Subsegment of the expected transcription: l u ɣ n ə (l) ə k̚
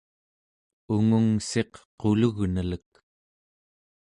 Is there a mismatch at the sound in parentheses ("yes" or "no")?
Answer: no